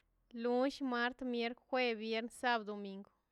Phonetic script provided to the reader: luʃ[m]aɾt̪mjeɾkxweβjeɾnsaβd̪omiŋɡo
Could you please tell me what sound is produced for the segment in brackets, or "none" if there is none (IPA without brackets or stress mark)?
m